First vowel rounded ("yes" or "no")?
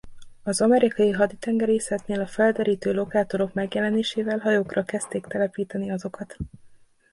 yes